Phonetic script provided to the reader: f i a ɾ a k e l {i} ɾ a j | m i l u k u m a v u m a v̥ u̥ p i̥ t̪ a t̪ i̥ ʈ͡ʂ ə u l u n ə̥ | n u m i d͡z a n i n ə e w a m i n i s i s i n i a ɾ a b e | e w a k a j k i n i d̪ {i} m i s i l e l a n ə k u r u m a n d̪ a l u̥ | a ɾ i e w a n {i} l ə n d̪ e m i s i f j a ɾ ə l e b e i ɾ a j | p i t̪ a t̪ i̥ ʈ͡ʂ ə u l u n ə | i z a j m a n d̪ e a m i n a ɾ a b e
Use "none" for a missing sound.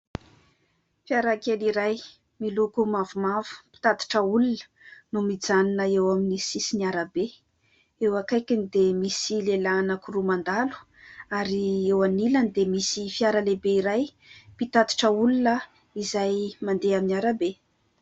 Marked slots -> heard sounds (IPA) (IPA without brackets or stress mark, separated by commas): i, e, i